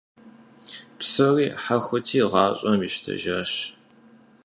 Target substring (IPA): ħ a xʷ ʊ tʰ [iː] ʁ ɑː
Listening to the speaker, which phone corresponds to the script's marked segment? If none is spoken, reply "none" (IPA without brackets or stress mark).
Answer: iː